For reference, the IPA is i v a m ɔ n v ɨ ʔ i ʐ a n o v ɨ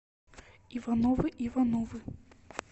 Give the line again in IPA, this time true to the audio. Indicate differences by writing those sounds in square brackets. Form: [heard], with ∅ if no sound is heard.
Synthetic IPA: i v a [n] ɔ [∅] v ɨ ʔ i [v] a n [ɔ] v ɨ